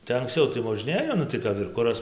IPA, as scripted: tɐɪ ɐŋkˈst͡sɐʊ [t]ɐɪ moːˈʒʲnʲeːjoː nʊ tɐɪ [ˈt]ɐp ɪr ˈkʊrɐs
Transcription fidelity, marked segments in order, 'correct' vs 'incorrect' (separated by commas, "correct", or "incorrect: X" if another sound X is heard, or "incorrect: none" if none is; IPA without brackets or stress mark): correct, incorrect: k